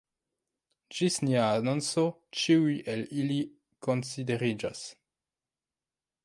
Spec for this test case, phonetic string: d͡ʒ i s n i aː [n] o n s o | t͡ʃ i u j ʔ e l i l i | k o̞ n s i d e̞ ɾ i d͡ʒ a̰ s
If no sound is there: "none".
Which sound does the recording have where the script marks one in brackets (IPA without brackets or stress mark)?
n